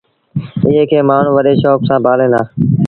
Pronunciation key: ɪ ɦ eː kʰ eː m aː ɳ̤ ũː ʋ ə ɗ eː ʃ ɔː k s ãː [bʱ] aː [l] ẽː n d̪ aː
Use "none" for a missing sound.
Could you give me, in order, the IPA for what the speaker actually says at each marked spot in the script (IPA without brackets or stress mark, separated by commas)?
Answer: bʱ, l